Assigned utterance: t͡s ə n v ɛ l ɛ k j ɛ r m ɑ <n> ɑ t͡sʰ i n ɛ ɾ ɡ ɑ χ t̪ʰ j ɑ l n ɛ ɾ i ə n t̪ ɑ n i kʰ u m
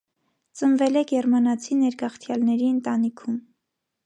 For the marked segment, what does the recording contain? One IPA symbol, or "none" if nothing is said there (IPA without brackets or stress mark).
n